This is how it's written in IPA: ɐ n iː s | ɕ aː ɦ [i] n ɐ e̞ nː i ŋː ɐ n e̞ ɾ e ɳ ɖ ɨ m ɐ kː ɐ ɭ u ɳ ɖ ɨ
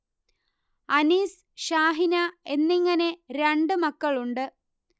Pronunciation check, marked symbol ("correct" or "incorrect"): correct